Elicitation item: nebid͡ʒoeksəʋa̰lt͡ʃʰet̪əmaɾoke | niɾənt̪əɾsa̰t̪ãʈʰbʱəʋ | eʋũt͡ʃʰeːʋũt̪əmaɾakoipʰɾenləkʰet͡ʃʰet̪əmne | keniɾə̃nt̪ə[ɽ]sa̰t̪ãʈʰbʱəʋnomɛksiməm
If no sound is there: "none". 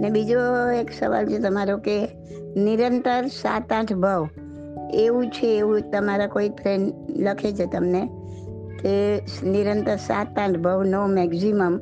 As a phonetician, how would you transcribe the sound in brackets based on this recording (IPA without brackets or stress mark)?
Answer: ɾ